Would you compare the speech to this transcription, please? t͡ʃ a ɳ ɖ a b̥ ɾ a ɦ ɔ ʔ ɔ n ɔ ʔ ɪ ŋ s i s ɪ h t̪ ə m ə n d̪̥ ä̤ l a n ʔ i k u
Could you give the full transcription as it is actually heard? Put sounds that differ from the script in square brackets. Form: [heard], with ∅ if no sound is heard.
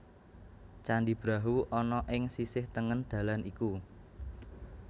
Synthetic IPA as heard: t͡ʃ a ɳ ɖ [i] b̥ ɾ a ɦ [u] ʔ ɔ n ɔ ʔ ɪ ŋ s i s ɪ h t̪ ə [ŋ] ə n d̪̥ ä̤ l a n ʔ i k u